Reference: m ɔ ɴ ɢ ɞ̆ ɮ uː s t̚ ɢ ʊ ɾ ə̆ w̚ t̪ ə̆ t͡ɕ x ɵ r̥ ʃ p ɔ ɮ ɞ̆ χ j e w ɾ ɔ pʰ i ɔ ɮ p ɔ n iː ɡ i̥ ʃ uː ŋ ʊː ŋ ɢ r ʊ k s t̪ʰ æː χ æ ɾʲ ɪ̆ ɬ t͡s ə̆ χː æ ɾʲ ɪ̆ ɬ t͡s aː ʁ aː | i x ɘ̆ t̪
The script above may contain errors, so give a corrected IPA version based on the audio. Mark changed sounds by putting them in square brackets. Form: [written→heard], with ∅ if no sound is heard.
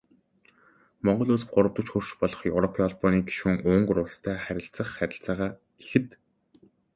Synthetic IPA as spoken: m ɔ ɴ ɢ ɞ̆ ɮ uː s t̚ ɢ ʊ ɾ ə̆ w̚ t̪ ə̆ t͡ɕ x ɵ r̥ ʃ p ɔ ɮ ɞ̆ χ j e w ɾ ɔ pʰ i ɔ ɮ p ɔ n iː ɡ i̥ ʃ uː ŋ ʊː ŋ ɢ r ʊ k s t̪ʰ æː χ æ ɾʲ ɪ̆ ɬ t͡s ə̆ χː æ ɾʲ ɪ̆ ɬ t͡s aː ʁ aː | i x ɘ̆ t̪